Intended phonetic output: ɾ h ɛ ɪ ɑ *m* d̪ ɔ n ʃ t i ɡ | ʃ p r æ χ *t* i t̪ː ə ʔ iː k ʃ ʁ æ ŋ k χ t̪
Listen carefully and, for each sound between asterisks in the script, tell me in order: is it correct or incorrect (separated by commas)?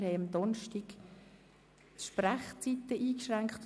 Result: correct, incorrect